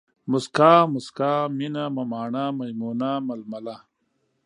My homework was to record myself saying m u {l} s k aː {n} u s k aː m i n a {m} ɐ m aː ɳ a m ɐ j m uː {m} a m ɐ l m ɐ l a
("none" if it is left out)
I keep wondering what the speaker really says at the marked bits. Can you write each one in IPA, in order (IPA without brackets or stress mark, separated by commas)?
none, m, m, n